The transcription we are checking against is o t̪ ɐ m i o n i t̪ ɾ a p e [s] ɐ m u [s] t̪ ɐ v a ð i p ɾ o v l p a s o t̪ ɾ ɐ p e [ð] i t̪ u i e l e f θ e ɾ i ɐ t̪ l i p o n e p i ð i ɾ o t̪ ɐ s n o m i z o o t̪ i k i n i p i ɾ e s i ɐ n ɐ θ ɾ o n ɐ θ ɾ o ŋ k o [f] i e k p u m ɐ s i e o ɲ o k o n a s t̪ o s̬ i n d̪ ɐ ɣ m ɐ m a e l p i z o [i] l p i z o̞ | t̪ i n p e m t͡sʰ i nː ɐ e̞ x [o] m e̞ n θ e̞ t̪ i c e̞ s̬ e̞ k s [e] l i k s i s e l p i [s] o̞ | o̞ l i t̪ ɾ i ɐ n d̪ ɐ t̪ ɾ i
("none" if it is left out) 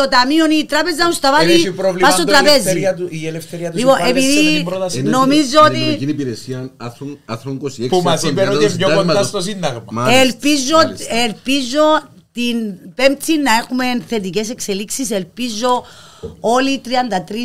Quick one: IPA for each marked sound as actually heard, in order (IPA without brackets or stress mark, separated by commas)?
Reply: z, s, z, s, e, u, e, z